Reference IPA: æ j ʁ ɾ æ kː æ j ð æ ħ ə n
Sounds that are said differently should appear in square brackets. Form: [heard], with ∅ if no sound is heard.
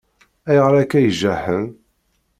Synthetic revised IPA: æ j ʁ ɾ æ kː æ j [ʒ] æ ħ ə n